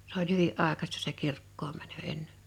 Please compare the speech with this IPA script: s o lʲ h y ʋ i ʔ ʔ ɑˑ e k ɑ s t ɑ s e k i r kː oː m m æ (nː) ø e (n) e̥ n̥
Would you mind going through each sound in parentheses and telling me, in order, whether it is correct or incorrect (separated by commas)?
incorrect, incorrect